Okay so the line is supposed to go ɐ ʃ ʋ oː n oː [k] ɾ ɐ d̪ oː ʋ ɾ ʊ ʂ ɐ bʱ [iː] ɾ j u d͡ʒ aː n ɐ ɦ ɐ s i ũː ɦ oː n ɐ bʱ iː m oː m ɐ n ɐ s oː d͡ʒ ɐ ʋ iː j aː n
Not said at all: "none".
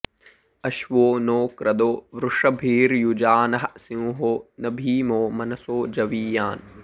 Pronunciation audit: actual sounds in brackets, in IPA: k, iː

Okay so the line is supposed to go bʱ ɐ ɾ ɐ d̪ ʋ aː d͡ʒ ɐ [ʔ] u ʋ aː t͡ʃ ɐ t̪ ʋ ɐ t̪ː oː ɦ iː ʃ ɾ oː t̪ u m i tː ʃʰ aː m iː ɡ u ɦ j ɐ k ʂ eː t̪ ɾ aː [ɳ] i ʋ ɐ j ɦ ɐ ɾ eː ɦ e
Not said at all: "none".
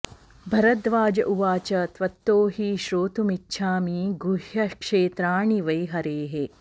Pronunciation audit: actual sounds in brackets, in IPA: ʔ, ɳ

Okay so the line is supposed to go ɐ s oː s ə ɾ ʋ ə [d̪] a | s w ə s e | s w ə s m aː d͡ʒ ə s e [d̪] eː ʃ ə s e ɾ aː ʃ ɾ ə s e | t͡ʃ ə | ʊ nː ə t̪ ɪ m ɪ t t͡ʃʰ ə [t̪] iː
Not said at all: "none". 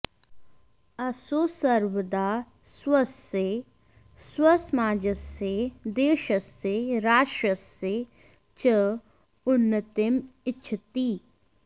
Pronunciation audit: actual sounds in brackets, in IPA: d̪, d̪, t̪

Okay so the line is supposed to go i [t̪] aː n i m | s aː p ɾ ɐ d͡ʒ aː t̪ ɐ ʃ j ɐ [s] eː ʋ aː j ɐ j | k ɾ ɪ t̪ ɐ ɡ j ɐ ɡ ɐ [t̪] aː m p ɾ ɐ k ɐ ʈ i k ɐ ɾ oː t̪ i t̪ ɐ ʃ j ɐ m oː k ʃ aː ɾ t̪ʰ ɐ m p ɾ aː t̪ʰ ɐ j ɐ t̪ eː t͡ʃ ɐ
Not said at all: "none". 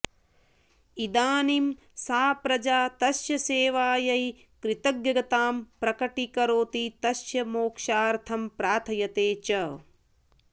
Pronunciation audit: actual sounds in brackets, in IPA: d̪, s, t̪

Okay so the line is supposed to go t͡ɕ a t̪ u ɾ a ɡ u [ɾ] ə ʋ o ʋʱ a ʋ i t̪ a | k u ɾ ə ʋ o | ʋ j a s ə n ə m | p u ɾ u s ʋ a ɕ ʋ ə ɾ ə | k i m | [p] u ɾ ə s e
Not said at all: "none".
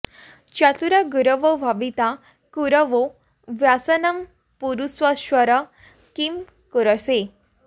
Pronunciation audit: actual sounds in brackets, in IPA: ɾ, k

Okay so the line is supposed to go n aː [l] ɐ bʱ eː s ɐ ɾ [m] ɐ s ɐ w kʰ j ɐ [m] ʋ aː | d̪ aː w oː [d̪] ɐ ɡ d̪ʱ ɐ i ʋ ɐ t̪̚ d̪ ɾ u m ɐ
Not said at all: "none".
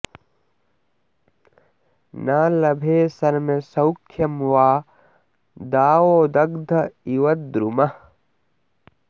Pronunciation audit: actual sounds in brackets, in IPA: l, m, m, d̪

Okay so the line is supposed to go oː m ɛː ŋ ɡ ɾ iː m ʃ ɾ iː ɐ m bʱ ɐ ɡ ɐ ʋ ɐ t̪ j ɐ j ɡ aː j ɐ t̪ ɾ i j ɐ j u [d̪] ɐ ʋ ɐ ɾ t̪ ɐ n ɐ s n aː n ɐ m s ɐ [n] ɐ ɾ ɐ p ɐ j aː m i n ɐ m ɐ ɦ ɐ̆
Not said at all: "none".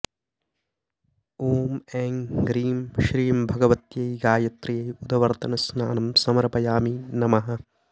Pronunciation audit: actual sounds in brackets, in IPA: d̪, m

